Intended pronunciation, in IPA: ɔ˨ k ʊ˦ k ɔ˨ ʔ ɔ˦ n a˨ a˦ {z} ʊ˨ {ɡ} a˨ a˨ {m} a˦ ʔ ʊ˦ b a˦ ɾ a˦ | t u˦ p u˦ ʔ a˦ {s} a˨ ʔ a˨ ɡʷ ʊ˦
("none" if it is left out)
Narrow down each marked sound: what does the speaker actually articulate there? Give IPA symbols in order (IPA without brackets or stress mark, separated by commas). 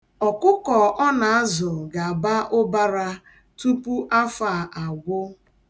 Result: z, ɡ, b, f